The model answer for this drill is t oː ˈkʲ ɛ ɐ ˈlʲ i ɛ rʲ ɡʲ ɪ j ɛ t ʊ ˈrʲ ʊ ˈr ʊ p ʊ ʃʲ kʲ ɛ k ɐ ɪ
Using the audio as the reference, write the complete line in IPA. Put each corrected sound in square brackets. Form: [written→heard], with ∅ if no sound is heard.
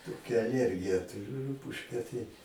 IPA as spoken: t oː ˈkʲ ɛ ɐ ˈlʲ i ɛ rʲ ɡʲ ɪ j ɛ t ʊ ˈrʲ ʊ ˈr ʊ p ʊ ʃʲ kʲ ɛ [k→t] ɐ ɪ